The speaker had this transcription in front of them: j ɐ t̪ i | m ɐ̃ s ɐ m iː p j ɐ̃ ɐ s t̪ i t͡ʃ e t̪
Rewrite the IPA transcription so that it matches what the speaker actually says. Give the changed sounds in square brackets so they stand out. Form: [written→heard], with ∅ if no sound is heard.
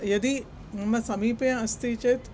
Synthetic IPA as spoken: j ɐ [t̪→d̪] i | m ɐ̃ s ɐ m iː p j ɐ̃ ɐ s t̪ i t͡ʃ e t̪